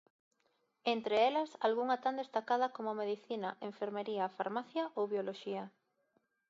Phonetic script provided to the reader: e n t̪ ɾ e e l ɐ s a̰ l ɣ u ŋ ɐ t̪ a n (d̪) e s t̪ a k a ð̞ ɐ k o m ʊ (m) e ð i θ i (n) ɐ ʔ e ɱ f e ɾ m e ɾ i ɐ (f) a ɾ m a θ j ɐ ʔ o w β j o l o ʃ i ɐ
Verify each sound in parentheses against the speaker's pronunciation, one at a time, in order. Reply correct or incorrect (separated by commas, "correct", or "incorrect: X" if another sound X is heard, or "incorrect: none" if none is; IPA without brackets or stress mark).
correct, correct, correct, correct